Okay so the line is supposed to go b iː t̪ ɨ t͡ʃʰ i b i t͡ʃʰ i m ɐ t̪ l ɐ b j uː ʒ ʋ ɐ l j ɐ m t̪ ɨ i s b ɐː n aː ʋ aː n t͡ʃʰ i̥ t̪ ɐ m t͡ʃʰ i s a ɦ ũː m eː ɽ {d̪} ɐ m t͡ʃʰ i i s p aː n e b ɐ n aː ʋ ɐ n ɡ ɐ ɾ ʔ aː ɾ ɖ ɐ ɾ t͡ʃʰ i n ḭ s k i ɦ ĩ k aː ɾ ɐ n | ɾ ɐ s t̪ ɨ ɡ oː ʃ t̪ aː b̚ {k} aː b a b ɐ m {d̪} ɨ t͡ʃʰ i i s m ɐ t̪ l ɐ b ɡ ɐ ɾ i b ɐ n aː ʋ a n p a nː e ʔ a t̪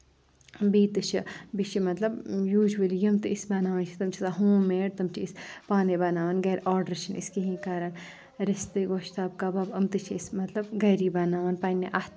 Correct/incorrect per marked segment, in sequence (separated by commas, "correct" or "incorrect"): incorrect, correct, incorrect